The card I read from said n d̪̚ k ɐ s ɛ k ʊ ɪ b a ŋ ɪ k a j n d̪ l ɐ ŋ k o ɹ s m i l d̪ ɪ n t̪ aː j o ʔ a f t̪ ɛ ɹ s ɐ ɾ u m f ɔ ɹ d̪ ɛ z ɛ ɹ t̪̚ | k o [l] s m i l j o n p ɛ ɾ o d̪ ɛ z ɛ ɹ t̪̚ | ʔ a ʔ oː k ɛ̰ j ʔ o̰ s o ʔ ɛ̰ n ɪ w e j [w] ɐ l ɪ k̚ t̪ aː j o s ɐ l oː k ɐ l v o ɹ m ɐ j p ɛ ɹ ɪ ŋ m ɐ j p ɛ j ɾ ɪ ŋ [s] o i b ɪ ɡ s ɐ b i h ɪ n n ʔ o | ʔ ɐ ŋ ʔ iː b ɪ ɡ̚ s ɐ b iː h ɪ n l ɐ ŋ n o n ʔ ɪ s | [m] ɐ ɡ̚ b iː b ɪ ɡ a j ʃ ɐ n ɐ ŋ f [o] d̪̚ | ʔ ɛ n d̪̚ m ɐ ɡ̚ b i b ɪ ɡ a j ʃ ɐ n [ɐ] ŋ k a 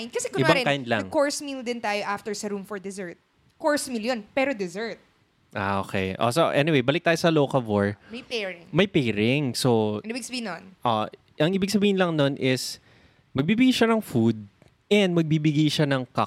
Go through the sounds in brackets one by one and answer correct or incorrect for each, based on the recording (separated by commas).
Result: incorrect, incorrect, correct, correct, incorrect, correct